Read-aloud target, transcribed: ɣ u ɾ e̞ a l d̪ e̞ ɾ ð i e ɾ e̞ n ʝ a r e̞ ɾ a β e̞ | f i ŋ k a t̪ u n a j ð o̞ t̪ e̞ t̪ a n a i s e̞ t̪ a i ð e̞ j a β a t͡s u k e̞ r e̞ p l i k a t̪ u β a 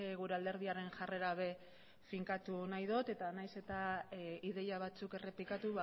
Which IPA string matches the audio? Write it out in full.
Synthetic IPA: ɣ u ɾ e̞ a l d̪ e̞ ɾ ð i a ɾ e̞ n ʝ a r e̞ ɾ a β e̞ | f i ŋ k a t̪ u n a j ð o̞ t̪ e̞ t̪ a n a j s e̞ t̪ a i ð e̞ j a β a t͡s u k e̞ r e̞ p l i k a t̪ u β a